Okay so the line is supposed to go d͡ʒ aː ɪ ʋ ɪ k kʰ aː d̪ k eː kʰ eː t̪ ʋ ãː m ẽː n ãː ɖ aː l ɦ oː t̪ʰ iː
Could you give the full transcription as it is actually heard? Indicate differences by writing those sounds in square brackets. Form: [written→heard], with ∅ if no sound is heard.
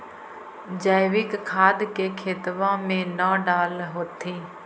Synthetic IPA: d͡ʒ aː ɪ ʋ ɪ k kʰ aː d̪ k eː kʰ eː t̪ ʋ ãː m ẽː n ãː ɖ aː l ɦ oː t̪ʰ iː